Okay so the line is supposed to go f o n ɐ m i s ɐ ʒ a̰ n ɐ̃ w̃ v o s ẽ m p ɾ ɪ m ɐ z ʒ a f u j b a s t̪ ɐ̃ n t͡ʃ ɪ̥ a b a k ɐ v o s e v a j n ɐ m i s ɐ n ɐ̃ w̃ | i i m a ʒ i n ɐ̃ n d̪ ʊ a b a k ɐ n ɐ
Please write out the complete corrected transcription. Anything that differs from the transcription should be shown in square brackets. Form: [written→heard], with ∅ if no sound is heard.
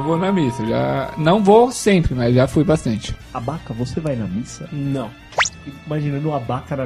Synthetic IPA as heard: [f→v] o n ɐ m i s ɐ ʒ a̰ n ɐ̃ w̃ v o s ẽ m p ɾ ɪ m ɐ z ʒ a f u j b a s t̪ ɐ̃ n t͡ʃ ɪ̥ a b a k ɐ v o s e v a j n ɐ m i s ɐ n ɐ̃ w̃ | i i m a ʒ i n ɐ̃ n d̪ ʊ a b a k ɐ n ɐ